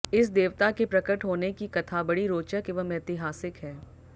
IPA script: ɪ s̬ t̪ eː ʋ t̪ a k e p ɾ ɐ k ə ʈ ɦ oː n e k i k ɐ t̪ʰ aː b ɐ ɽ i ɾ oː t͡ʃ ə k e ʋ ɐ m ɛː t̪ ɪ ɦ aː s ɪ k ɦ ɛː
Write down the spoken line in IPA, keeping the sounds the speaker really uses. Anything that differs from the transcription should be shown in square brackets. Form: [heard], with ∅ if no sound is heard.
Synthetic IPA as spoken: ɪ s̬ [d̪] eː ʋ t̪ a k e p ɾ ɐ k ə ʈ ɦ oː n e k i k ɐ t̪ʰ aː b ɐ ɽ i ɾ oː t͡ʃ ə k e ʋ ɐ m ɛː t̪ ɪ ɦ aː s ɪ k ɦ ɛː